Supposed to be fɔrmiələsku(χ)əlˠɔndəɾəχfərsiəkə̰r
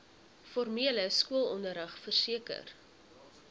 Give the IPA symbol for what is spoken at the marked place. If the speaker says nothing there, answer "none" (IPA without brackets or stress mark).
none